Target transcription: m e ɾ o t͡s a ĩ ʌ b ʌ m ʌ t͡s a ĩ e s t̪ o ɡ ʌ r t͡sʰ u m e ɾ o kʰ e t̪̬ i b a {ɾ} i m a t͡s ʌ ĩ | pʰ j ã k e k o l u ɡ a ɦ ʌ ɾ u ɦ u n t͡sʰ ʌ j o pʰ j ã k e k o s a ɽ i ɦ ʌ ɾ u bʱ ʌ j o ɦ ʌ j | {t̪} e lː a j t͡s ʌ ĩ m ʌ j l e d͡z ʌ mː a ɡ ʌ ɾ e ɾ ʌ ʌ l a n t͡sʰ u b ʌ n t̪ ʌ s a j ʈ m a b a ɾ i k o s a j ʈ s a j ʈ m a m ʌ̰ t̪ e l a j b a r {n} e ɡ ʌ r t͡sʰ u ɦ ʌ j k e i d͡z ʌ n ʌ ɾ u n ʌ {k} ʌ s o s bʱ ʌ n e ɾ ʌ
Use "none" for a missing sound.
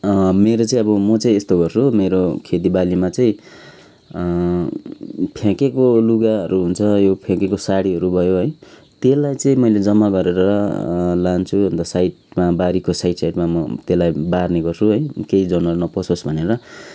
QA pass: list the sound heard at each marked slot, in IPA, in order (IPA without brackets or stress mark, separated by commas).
l, t̪, n, p